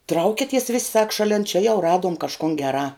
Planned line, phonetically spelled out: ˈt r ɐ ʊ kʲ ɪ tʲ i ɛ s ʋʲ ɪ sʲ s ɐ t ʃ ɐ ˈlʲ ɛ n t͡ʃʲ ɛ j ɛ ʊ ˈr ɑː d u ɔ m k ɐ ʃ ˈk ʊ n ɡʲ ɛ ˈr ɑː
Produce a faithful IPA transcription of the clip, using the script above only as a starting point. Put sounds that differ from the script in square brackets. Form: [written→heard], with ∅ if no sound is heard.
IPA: ˈt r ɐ ʊ kʲ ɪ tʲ i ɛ s ʋʲ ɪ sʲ s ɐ [t→k] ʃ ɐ ˈlʲ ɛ n t͡ʃʲ ɛ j ɛ ʊ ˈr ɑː d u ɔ m k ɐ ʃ ˈk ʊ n ɡʲ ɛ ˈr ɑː

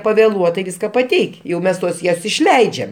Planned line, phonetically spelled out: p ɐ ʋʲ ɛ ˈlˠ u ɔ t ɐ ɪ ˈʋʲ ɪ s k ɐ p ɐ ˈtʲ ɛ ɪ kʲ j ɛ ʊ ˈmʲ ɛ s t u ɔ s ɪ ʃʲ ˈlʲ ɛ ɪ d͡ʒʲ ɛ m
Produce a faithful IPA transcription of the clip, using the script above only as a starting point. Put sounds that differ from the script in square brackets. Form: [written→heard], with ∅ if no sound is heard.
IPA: p ɐ ʋʲ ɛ ˈlˠ u ɔ t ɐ ɪ ˈʋʲ ɪ s k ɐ p ɐ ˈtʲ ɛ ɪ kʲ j ɛ ʊ ˈmʲ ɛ s t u ɔ s ɪ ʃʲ ˈlʲ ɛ ɪ d͡ʒʲ ɛ m

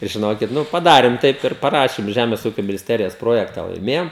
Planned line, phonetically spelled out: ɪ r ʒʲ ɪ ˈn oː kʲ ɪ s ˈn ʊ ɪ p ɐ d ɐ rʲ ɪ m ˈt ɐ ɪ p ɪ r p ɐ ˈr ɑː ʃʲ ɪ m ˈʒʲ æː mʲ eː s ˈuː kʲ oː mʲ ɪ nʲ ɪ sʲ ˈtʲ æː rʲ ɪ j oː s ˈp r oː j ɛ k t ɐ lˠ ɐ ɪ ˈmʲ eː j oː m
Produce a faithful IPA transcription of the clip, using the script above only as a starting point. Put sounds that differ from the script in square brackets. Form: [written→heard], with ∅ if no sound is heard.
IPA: ɪ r ʒʲ ɪ ˈn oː kʲ ɪ [s→t] ˈn ʊ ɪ p ɐ d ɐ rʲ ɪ m ˈt ɐ ɪ p ɪ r p ɐ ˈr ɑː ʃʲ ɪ m ˈʒʲ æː mʲ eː s ˈuː kʲ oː mʲ ɪ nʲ ɪ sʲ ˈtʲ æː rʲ ɪ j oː s ˈp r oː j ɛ k t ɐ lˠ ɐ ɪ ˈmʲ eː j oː m

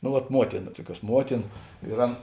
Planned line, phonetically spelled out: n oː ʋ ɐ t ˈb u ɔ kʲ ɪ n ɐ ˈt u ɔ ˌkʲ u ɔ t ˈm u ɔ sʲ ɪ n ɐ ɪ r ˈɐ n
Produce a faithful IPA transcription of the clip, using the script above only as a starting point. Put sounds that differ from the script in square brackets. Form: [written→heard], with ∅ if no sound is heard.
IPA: n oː ʋ ɐ t [ˈb→ˈm] u ɔ [kʲ→tʲ] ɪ n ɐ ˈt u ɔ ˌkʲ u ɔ [t→s] ˈm u ɔ [sʲ→tʲ] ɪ n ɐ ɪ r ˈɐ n

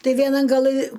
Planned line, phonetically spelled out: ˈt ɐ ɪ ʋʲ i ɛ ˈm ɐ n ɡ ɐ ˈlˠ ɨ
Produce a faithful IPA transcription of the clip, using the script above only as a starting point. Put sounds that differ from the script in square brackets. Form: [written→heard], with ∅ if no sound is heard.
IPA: ˈt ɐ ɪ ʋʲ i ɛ [ˈm→ˈn] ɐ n ɡ ɐ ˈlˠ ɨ

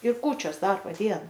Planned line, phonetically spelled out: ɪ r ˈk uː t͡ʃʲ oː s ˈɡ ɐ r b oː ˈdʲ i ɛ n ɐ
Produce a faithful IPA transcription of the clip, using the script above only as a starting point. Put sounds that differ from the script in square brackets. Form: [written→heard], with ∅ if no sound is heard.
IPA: ɪ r ˈk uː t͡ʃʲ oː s [ˈɡ→ˈd] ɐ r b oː ˈdʲ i ɛ n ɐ

